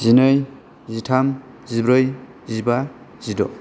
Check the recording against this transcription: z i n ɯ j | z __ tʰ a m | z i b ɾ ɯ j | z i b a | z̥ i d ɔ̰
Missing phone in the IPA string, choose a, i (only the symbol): i